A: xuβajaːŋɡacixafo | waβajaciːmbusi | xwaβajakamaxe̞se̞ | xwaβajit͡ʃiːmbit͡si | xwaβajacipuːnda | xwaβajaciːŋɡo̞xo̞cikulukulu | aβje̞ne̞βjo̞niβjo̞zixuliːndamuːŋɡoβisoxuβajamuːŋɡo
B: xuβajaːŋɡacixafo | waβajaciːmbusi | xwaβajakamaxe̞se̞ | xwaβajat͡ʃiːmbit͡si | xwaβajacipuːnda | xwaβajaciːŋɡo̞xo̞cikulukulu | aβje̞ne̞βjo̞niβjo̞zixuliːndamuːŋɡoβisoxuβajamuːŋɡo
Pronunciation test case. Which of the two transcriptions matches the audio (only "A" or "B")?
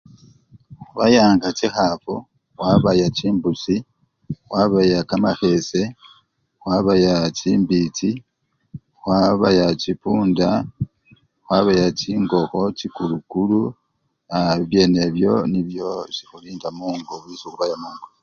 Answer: B